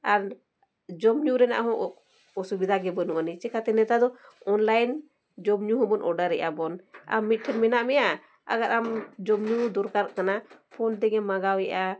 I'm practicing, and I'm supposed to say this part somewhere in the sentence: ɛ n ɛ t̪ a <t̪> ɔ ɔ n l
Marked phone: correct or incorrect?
incorrect